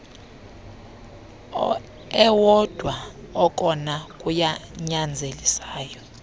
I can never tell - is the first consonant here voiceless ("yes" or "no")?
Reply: no